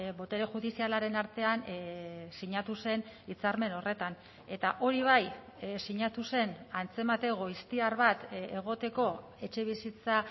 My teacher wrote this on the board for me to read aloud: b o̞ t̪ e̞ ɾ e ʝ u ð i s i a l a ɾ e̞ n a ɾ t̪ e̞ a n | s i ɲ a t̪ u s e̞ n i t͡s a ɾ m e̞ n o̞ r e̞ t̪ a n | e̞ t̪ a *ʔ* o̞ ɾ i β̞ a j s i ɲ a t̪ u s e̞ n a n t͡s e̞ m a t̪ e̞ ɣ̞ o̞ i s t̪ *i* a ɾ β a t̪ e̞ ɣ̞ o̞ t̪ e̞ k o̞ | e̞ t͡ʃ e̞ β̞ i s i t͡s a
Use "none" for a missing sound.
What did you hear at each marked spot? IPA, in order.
ʔ, i

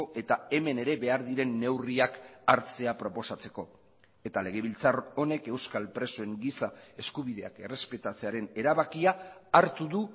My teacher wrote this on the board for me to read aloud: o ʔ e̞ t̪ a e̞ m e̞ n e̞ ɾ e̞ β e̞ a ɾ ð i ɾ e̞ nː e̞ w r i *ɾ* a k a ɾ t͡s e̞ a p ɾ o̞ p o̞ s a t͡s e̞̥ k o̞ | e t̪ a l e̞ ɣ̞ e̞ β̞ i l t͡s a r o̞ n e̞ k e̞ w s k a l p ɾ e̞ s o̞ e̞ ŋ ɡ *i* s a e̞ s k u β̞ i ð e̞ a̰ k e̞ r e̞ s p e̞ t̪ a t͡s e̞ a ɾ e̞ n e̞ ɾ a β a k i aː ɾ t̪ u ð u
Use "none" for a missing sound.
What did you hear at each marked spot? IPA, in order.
none, i

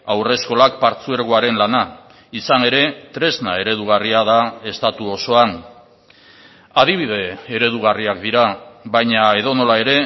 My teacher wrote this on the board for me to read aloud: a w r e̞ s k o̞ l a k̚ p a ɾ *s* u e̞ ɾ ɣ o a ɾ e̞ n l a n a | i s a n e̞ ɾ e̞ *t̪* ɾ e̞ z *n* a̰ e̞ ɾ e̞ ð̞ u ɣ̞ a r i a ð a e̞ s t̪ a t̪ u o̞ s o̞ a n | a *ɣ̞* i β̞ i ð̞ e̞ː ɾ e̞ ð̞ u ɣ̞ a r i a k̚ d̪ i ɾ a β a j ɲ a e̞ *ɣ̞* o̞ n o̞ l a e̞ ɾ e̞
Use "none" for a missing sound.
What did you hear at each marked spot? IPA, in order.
t͡s, t̪, n, ð̞, ð̞

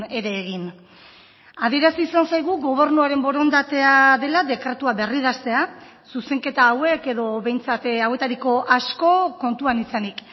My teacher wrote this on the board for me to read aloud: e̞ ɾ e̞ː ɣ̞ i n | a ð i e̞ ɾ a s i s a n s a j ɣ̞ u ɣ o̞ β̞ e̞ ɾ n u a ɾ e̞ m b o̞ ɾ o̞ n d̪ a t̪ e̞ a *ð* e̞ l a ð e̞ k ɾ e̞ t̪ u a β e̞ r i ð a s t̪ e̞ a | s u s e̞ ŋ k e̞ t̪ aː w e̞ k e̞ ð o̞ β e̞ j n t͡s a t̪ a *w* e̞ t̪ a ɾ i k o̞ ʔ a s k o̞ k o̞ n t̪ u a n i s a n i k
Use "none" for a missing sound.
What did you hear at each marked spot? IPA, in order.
ð, w

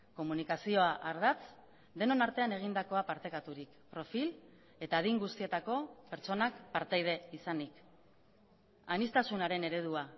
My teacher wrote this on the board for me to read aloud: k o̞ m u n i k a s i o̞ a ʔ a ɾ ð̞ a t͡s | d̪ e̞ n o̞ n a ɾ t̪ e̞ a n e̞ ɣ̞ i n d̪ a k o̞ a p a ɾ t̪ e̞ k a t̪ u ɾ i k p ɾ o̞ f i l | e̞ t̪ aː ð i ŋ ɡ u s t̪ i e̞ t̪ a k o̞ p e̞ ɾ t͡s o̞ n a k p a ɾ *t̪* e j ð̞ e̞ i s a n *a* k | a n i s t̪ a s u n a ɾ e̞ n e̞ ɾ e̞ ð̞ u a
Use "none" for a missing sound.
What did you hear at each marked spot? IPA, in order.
t̪, i

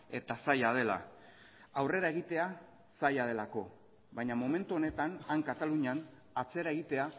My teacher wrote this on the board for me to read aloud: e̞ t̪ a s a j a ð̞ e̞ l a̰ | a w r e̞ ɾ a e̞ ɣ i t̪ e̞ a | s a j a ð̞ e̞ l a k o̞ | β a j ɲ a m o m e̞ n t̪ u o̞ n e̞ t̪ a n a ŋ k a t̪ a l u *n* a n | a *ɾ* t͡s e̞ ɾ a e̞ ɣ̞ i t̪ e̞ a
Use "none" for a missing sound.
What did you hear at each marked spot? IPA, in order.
ɲ, none

